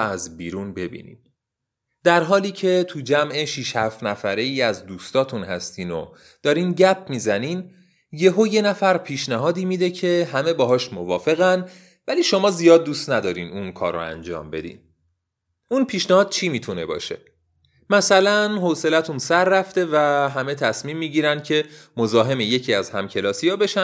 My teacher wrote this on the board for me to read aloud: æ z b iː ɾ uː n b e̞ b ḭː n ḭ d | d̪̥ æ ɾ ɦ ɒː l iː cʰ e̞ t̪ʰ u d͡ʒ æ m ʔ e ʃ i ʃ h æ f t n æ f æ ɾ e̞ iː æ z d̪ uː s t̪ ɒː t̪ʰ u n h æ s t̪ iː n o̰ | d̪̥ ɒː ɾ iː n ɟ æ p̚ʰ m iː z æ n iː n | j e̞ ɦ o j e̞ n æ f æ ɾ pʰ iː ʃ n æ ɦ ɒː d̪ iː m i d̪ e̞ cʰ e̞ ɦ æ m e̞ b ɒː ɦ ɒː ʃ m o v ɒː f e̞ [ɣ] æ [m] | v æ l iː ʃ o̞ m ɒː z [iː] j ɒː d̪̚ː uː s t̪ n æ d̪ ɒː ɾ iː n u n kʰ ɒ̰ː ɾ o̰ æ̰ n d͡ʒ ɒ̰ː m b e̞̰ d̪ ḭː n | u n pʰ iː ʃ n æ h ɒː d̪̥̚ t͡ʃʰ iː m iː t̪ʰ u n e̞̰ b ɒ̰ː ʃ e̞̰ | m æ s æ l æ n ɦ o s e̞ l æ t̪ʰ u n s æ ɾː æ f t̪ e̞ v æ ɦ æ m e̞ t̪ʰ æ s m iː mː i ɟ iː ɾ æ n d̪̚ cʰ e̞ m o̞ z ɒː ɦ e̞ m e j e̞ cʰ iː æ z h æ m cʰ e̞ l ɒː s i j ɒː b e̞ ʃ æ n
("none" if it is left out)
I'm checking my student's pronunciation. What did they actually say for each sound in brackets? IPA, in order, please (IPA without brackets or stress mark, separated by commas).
ɣ, n, i